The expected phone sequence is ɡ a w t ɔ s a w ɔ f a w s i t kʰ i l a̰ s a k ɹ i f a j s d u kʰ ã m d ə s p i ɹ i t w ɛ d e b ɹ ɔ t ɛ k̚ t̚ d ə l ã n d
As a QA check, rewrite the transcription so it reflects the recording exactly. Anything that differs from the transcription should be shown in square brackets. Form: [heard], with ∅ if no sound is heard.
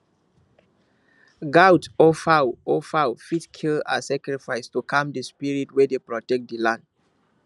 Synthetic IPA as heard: ɡ a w t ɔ [f] a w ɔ f a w [f] i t kʰ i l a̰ s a k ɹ i f a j s [t] u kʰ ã m d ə s p i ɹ i t w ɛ d e [p] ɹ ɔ t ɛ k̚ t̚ d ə l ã n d

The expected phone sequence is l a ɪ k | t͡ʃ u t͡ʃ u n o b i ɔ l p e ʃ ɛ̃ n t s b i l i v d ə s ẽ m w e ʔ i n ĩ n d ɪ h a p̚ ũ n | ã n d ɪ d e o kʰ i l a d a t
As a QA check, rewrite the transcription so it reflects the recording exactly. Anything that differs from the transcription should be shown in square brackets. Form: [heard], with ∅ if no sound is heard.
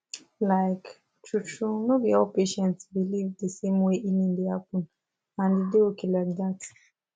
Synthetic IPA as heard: l a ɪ k | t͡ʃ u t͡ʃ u n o b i ɔ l p e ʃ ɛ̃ n t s b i l i v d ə s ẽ m w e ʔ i n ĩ n d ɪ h a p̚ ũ n | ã n d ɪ d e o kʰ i l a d a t

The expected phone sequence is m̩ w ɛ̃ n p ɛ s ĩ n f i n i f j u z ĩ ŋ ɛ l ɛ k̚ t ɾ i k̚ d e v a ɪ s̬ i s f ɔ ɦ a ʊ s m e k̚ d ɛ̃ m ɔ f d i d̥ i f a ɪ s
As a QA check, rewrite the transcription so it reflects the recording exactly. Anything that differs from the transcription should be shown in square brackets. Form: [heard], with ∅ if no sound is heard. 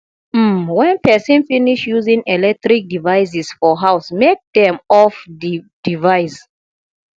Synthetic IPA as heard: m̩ w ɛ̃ n p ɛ s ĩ n f i n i [ʃ] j u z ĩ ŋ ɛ l ɛ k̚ t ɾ i k̚ d [i] v a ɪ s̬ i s f ɔ ɦ a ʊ s m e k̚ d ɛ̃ m ɔ f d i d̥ i [v] a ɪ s

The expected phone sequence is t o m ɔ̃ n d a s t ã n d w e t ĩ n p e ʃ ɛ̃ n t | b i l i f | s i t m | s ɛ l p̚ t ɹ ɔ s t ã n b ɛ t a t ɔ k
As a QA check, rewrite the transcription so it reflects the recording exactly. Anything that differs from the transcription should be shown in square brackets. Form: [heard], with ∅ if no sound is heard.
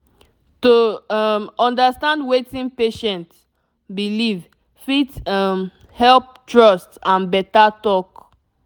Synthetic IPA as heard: t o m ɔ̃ n d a s t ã n d w e t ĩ n p e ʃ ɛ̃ n t | b i l i [v] | [f] i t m | [h] ɛ l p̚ t ɹ ɔ s t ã n b ɛ t a t ɔ k

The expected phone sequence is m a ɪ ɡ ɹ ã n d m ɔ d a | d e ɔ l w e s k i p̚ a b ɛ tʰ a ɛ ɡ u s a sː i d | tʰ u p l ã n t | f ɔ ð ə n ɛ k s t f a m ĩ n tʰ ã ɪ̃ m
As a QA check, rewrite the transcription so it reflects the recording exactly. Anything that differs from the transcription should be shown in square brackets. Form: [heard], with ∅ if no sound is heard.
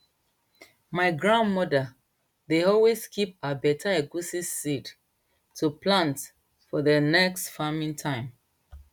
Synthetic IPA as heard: m a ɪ ɡ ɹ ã n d m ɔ d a | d e ɔ l w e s k i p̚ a b ɛ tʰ a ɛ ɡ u s [i] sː i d | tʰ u p l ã n t | f ɔ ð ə n ɛ k s t f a m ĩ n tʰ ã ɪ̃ m

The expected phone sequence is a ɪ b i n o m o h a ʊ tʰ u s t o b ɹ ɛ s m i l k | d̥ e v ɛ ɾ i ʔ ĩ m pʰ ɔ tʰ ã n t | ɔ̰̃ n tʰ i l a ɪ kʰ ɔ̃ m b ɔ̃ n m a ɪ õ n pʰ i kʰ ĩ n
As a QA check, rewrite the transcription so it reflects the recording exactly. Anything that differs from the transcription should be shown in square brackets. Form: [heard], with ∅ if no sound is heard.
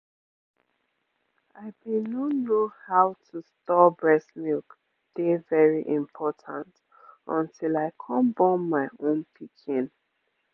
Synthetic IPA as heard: a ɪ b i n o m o h a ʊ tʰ u s t [ɔ] b ɹ ɛ s m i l k | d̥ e v ɛ [ɹ] i ʔ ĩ m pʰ ɔ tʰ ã n t | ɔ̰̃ n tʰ i l a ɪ kʰ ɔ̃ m b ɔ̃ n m a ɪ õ n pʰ i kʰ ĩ n

